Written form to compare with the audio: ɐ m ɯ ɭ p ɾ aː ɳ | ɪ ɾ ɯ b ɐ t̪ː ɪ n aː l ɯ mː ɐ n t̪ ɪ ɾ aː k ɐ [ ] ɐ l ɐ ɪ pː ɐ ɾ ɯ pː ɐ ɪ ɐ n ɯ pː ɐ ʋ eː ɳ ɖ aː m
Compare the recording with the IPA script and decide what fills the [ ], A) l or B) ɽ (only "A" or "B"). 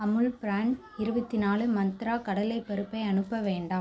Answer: B